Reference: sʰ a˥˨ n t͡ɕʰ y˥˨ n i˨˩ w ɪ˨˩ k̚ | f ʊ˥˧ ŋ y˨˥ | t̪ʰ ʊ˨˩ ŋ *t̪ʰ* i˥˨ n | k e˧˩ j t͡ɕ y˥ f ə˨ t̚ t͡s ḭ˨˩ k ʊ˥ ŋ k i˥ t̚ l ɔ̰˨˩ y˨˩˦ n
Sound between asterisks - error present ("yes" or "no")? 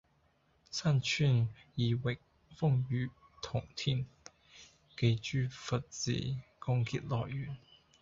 no